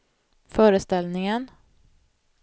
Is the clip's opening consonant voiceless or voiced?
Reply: voiceless